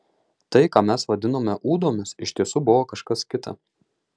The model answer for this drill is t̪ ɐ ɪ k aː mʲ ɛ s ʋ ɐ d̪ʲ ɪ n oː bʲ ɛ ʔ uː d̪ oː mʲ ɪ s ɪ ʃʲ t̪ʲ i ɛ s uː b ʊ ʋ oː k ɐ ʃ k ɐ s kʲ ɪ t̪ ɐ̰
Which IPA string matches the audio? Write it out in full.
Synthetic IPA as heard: t̪ ɐ ɪ k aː mʲ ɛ s ʋ ɐ d̪ʲ ɪ n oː mʲ ɛ ʔ uː d̪ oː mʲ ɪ s ɪ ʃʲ t̪ʲ i ɛ s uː b ʊ ʋ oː k ɐ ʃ k ɐ s kʲ ɪ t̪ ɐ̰

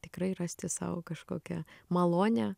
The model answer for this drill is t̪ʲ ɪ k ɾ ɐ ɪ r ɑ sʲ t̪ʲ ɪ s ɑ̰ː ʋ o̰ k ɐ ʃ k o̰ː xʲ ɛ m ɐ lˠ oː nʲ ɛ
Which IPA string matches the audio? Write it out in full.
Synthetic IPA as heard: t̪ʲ ɪ k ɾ ɐ ɪ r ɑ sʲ t̪ʲ ɪ s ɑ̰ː ʋ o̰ k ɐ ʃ k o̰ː kʲ ɛ m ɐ lˠ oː nʲ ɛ

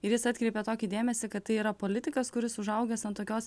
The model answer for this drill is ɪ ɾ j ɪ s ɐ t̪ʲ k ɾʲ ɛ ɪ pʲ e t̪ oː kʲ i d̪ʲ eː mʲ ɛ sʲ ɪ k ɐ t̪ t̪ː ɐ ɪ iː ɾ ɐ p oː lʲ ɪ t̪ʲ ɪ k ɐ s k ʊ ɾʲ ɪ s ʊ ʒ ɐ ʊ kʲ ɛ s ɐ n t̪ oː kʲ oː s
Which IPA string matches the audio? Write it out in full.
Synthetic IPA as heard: ɪ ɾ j ɪ s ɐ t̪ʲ k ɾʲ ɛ ɪ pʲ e t̪ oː kʲ i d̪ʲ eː mʲ ɛ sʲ ɪ k ɐ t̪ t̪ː ɐ ɪ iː ɾ ɐ p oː lʲ ɪ t̪ʲ ɪ k ɐ s k ʊ ɾʲ ɪ s ʊ ʒ ɐ ʊ ɡʲ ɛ s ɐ n t̪ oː kʲ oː s

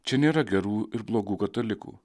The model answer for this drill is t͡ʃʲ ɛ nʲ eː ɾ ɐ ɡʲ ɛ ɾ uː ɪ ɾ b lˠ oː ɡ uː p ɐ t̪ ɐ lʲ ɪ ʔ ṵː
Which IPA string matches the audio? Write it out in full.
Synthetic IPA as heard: t͡ʃʲ ɛ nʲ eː ɾ ɐ ɡʲ ɛ ɾ uː ɪ ɾ b lˠ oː ɡ uː k ɐ t̪ ɐ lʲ ɪ k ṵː

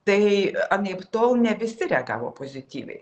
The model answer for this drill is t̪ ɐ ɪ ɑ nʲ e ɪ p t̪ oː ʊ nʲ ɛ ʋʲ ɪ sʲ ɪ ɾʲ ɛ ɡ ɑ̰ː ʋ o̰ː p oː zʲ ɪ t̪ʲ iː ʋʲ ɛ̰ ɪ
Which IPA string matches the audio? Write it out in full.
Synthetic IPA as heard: t̪ ɐ ɪ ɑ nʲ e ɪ p t̪ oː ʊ nʲ ɛ ʋʲ ɪ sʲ ɪ ɾʲ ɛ ɡ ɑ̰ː ʋ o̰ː p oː zʲ ɪ t̪ʲ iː ʋʲ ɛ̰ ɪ

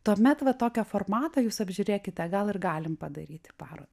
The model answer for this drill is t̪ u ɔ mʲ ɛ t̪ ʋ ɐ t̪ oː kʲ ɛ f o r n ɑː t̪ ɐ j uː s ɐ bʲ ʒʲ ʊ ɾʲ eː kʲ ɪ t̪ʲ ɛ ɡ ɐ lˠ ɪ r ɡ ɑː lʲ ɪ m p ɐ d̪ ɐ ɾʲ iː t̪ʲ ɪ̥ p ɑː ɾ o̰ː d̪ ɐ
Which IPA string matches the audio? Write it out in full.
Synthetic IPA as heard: t̪ u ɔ mʲ ɛ t̪ ʋ ɐ t̪ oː kʲ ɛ f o r m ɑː t̪ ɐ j uː s ɐ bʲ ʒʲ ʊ ɾʲ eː kʲ ɪ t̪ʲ ɛ ɡ ɐ lˠ ɪ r ɡ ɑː lʲ ɪ m p ɐ d̪ ɐ ɾʲ iː t̪ʲ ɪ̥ p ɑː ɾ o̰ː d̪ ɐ

